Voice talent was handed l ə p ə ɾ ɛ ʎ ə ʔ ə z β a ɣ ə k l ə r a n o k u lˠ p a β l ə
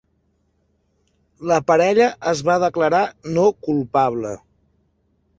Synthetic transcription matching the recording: l ə p ə ɾ ɛ ʎ ə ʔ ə z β a ð ə k l ə ɾ a n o k u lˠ p a β l ə